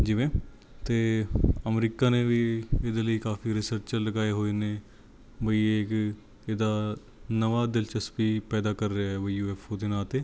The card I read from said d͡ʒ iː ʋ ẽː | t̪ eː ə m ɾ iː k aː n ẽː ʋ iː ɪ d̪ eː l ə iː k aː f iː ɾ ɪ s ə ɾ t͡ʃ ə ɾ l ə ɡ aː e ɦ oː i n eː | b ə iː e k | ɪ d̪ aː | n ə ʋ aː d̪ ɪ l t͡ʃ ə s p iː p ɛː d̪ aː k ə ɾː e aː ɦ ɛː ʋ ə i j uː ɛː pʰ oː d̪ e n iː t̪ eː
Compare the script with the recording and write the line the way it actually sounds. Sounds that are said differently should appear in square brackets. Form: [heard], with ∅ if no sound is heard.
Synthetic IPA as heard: d͡ʒ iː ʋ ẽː | t̪ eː ə m ɾ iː k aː n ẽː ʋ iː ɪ d̪ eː l ə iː k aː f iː ɾ ɪ s ə ɾ t͡ʃ ə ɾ l ə ɡ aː e ɦ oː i n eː | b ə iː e k | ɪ d̪ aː | n ə ʋ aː d̪ ɪ l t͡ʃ ə s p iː p ɛː d̪ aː k ə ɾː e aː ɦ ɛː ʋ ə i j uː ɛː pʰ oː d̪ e n [aː] t̪ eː